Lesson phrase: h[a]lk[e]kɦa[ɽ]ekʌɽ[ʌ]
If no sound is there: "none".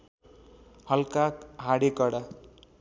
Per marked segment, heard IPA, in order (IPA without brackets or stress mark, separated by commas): ʌ, a, ɽ, a